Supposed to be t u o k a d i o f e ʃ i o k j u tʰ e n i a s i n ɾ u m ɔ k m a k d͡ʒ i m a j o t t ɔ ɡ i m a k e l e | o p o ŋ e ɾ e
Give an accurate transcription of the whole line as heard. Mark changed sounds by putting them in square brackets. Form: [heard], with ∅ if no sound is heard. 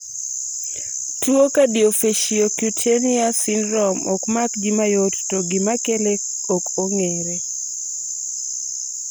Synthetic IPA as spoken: t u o k a d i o f e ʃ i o k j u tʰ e n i a s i n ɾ [ɔ] m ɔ k m a k d͡ʒ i m a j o t t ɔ ɡ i m a k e l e | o [k] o ŋ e ɾ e